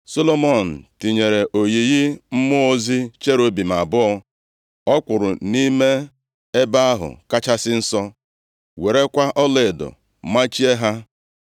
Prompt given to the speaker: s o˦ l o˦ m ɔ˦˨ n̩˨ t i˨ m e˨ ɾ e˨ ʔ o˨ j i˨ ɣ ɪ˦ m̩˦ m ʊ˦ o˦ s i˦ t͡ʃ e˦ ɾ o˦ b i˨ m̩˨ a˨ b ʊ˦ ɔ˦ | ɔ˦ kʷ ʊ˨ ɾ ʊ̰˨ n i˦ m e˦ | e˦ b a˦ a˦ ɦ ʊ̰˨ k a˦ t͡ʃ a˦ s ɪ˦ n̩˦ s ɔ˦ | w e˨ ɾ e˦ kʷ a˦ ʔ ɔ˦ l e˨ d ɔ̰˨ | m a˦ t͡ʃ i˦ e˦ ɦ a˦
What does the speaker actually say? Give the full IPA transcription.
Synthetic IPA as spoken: s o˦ l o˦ m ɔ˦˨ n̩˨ t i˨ ɲ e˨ ɾ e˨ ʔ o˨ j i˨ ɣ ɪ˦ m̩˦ m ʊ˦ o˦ z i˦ t͡ʃ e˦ ɾ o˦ b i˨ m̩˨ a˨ b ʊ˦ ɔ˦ | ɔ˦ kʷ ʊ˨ ɾ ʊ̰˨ n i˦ m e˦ | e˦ b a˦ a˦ ɦ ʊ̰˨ k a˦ t͡ʃ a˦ s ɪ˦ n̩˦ s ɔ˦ | w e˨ ɾ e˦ kʷ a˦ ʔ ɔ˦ l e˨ d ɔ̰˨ | m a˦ t͡ʃ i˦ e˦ ɦ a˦